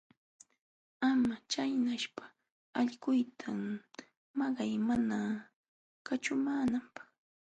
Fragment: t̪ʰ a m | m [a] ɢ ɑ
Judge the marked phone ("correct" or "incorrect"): incorrect